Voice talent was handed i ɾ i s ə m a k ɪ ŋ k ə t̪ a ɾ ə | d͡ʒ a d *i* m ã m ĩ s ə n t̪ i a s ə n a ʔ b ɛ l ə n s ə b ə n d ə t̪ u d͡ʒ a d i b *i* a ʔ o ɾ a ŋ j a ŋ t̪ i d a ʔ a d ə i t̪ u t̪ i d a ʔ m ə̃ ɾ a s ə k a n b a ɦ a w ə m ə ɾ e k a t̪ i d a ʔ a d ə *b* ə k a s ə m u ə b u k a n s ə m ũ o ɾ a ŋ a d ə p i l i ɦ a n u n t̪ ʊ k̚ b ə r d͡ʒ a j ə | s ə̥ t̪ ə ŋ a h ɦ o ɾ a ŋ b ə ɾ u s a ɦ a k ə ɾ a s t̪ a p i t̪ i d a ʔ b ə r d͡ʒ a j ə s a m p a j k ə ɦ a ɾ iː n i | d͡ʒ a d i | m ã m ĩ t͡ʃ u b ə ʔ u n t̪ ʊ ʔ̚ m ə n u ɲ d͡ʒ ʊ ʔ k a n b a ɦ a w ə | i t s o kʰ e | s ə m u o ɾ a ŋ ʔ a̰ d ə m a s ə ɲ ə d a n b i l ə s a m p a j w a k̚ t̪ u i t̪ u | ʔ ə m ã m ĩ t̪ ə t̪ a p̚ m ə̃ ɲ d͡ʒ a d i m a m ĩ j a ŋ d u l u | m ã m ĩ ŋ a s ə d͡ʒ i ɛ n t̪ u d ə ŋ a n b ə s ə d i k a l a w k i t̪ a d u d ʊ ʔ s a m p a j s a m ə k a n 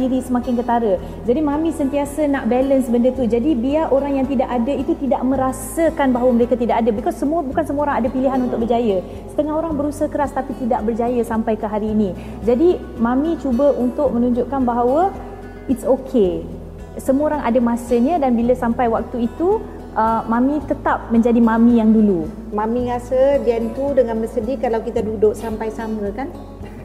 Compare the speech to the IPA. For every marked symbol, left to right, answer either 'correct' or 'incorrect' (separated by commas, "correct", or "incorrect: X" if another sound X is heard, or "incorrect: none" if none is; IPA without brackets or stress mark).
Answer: correct, correct, correct